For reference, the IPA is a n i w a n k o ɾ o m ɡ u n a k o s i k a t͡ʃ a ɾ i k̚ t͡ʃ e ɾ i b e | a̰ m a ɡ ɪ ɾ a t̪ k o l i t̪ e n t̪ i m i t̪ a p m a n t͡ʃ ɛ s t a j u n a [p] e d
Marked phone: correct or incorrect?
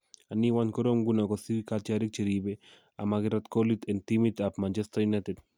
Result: incorrect